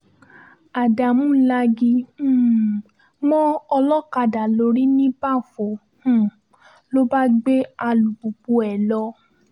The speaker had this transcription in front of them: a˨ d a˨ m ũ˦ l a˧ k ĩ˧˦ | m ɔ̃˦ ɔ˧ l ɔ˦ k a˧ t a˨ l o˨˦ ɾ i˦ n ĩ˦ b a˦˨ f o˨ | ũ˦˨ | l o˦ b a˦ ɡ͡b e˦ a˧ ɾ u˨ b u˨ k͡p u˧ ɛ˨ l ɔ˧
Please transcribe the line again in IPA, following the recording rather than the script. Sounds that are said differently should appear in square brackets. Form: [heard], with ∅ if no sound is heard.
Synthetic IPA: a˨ d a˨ m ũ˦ l a˧ [ɡ] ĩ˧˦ | m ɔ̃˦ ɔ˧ l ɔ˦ k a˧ [d] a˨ l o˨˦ ɾ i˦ n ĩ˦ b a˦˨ f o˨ | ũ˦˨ | l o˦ b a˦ ɡ͡b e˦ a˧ [l] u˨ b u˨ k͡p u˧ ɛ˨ l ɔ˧